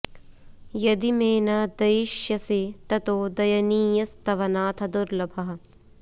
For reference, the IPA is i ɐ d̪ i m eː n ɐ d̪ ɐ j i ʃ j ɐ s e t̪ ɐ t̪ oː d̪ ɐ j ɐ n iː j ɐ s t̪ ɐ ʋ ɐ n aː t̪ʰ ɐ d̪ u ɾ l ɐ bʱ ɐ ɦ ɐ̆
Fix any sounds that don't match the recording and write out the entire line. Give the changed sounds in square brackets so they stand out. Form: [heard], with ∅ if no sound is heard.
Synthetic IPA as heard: [j] ɐ d̪ i m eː n ɐ d̪ ɐ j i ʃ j ɐ s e t̪ ɐ t̪ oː d̪ ɐ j ɐ n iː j ɐ s t̪ ɐ ʋ ɐ n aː t̪ʰ ɐ d̪ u ɾ l ɐ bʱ ɐ ɦ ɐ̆